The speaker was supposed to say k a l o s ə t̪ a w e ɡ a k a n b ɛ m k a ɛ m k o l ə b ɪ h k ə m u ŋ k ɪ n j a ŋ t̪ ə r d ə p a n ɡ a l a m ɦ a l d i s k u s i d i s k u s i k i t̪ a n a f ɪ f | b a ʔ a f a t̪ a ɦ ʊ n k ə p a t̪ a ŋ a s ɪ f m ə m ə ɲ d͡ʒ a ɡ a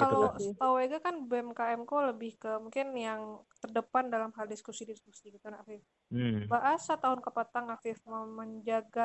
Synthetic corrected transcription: k a l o s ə t̪ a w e ɡ a k a n b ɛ m k a ɛ m k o l ə b ɪ h k ə m u ŋ k ɪ n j a ŋ t̪ ə r d ə p a n d a l a m ɦ a l d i s k u s i d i s k u s i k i t̪ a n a f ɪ f | b a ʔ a s a t̪ a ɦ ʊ n k ə p a t̪ a ŋ a f ɪ f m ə m ə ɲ d͡ʒ a ɡ a